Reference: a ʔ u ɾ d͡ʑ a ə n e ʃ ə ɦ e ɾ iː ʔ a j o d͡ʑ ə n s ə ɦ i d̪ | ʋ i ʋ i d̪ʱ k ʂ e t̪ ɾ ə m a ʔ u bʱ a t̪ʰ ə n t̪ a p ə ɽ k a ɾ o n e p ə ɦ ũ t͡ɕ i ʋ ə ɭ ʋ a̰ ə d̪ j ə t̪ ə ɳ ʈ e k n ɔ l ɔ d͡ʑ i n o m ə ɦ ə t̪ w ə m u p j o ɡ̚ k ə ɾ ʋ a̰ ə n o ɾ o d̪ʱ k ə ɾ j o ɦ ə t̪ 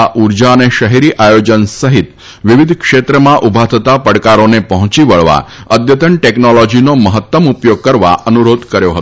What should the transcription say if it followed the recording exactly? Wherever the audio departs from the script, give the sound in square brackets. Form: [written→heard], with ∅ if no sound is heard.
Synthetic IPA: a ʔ u ɾ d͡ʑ a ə n e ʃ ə ɦ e ɾ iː ʔ a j o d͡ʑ ə n s ə ɦ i [d̪→t̪] | ʋ i ʋ i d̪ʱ k ʂ e t̪ ɾ ə m a ʔ u bʱ a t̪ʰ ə [n→∅] t̪ a p ə ɽ k a ɾ o n e p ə ɦ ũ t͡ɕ i ʋ ə ɭ ʋ a̰ ə d̪ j ə t̪ ə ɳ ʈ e k n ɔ l ɔ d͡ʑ i n o m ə ɦ ə t̪ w ə m u p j o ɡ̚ k ə ɾ ʋ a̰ ə n [o→u] ɾ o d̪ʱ k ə ɾ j o ɦ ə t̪

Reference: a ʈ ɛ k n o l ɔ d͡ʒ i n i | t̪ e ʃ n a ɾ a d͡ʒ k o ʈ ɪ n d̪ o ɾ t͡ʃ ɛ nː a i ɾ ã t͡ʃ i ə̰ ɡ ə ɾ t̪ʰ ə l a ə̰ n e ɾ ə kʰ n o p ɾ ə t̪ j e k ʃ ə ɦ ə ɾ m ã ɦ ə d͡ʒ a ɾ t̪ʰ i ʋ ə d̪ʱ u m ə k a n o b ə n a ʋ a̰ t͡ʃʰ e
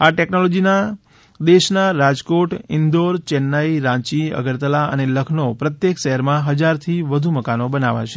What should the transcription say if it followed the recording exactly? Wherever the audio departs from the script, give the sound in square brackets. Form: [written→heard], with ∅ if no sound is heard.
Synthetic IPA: a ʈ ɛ k n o l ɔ d͡ʒ i n [i→a] | [t̪→d̪] e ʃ n a ɾ a d͡ʒ k o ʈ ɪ n d̪ o ɾ t͡ʃ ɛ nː a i ɾ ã t͡ʃ i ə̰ ɡ ə ɾ [t̪ʰ→t̪] ə l a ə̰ n e [ɾ→l] ə kʰ n o p ɾ ə t̪ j e k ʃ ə ɦ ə ɾ m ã ɦ ə d͡ʒ a ɾ t̪ʰ i ʋ ə d̪ʱ u m ə k a n o b ə n a ʋ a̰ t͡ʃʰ e

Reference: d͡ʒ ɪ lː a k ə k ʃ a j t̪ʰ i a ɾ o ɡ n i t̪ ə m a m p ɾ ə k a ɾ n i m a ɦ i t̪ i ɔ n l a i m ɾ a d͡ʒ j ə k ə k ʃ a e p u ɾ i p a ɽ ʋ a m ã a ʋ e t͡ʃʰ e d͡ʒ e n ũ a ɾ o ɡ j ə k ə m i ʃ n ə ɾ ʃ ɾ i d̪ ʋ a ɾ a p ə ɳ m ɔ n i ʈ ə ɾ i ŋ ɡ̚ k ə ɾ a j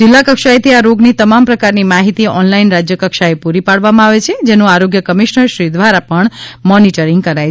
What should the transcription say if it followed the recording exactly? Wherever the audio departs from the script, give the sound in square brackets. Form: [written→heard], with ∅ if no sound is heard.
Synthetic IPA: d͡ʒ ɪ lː a k ə k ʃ a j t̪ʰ i a ɾ o ɡ n i t̪ ə m a m p ɾ ə k a ɾ n i m a ɦ i t̪ i ɔ n l a i [m→n] ɾ a d͡ʒ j ə k ə k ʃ a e p u ɾ i p a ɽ ʋ a m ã a ʋ e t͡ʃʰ e d͡ʒ e n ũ a ɾ o ɡ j ə k ə m i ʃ n ə ɾ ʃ ɾ i d̪ ʋ a ɾ a p ə ɳ m ɔ n i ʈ ə ɾ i ŋ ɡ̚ k ə ɾ a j

